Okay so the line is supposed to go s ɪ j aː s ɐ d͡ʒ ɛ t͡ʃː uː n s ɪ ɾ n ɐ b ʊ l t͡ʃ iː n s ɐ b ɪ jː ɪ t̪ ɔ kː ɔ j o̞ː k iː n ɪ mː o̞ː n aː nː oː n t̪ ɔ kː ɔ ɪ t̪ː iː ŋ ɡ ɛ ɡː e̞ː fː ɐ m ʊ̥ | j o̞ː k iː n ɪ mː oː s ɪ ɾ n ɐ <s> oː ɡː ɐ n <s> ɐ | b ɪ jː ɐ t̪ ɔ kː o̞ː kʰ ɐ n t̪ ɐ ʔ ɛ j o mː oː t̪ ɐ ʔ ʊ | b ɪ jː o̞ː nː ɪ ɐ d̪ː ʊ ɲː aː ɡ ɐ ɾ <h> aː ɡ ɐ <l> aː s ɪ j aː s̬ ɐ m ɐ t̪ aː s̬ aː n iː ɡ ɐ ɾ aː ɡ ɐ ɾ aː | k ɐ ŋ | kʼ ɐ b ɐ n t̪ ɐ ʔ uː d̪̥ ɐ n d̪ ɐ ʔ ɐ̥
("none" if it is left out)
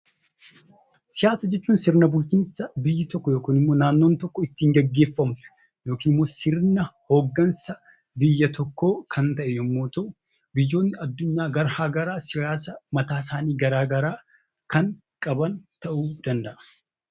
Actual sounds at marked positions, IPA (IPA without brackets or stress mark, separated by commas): h, s, h, ɾ